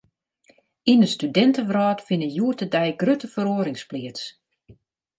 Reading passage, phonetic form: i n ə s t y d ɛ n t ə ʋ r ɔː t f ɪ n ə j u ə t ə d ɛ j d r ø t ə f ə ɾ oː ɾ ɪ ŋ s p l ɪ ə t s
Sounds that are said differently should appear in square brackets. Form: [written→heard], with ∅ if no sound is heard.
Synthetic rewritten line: i n ə s t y d ɛ n t ə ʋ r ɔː t f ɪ n ə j u ə t ə d ɛ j [d→ɡ] r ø t ə f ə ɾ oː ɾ ɪ ŋ s p l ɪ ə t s